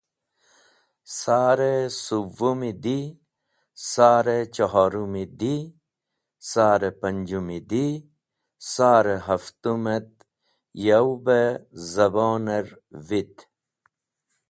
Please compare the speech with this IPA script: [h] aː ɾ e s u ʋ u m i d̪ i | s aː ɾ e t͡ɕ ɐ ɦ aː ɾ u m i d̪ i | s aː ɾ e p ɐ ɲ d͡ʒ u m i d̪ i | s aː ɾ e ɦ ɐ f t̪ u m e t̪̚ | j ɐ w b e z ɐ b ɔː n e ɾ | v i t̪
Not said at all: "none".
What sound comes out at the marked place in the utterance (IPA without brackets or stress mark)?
s